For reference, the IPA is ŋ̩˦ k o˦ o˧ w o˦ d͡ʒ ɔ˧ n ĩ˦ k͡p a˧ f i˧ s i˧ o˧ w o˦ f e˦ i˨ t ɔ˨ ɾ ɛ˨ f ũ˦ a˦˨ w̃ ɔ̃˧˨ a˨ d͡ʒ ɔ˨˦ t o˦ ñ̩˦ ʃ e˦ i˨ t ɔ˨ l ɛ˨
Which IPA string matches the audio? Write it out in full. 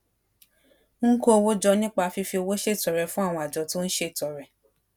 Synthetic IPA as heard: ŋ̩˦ k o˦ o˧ w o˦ d͡ʒ ɔ˧ n ĩ˦ k͡p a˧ f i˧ f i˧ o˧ w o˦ ʃ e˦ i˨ t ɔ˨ ɾ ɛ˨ f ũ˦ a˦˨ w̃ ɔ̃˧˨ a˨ d͡ʒ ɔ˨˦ t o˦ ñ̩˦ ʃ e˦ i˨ t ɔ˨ ɾ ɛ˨